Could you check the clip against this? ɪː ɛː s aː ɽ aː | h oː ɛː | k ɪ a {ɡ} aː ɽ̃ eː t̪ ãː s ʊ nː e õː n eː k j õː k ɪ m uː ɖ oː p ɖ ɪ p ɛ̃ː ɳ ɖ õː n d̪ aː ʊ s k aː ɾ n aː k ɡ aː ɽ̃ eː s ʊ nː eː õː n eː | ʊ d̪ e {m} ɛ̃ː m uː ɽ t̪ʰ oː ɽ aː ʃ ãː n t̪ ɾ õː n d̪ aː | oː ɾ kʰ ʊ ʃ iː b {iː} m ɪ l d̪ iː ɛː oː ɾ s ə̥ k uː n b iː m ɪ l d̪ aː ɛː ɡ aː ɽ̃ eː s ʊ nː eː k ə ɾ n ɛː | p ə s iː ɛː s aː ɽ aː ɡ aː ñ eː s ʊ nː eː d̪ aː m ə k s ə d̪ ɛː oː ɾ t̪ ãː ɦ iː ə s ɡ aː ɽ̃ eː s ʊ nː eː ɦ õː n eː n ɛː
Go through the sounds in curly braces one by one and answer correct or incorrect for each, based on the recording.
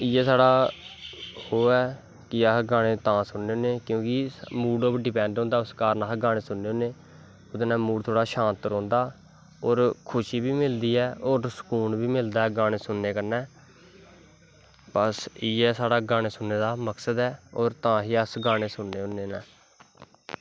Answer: correct, incorrect, correct

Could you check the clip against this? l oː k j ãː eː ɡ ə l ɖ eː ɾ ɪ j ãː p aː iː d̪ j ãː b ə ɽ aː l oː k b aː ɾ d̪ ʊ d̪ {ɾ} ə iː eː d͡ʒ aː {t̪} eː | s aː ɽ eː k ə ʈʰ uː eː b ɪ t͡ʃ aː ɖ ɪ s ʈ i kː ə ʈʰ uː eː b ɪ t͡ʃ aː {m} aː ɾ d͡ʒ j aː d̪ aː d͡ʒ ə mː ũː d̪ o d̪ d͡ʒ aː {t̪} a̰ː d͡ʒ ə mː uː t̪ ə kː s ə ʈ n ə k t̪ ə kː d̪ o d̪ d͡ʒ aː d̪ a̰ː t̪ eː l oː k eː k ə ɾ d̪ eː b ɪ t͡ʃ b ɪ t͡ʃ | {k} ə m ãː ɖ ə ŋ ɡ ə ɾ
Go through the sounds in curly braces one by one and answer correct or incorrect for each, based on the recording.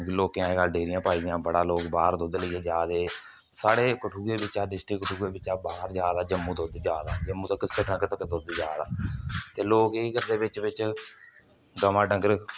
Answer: incorrect, incorrect, incorrect, incorrect, incorrect

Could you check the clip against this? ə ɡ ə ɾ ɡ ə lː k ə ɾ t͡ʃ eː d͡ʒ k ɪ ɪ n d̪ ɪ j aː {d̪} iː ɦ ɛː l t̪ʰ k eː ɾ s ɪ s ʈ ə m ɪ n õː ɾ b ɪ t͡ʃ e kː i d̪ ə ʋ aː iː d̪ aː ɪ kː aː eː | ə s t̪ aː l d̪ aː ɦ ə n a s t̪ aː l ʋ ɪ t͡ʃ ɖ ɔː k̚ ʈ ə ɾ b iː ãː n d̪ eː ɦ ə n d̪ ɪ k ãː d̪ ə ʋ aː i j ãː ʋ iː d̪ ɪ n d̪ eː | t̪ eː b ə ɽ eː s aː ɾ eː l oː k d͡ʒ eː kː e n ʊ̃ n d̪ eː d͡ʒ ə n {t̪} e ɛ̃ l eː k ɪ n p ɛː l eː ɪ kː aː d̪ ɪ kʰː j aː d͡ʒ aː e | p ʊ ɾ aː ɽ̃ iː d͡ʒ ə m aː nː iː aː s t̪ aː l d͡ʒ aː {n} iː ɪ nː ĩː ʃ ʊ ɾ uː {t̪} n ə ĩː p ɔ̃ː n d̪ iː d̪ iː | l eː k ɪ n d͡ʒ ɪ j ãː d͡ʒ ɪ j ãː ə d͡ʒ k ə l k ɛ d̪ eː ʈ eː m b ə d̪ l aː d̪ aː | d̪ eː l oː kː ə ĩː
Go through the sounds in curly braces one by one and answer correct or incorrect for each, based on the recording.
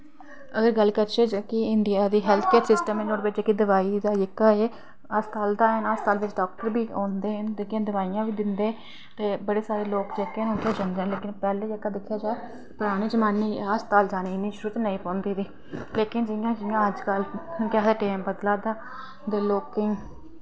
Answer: correct, incorrect, correct, correct

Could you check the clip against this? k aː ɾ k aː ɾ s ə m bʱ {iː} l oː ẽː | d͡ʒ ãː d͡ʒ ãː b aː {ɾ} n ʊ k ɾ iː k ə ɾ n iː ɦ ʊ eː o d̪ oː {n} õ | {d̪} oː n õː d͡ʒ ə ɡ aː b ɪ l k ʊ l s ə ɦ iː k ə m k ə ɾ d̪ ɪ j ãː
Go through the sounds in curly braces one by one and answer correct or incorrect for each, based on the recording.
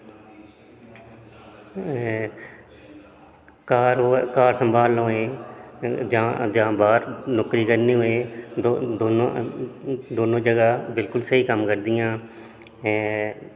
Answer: incorrect, correct, correct, correct

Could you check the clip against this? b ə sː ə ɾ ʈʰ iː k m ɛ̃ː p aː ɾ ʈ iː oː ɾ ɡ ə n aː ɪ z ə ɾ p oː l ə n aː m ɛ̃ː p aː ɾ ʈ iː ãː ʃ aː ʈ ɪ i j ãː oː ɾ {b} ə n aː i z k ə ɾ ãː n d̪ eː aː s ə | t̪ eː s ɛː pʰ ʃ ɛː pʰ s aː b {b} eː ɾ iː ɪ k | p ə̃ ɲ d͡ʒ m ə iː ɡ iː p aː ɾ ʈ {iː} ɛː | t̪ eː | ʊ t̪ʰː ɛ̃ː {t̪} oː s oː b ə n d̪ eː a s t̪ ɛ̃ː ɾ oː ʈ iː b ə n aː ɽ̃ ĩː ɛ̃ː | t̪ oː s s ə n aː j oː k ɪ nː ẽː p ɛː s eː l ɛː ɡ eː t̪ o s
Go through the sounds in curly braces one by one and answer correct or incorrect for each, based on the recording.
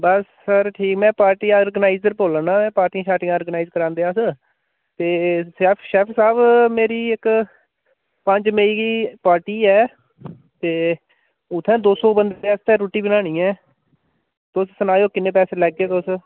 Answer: incorrect, incorrect, correct, incorrect

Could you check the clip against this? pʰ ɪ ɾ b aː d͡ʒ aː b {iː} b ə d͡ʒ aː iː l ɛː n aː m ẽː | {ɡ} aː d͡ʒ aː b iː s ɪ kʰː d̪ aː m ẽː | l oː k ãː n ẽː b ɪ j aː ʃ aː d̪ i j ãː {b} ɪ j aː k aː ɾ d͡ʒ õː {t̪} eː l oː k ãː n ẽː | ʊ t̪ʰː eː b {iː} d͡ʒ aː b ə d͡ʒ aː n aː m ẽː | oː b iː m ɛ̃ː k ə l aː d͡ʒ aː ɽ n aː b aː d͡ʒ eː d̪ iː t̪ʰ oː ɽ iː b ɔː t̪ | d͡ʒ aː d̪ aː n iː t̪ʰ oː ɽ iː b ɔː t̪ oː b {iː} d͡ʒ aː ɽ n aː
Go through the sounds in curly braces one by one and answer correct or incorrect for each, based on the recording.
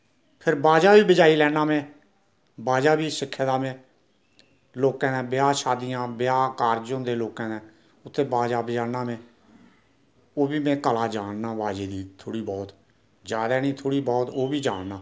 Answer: correct, incorrect, correct, incorrect, incorrect, correct

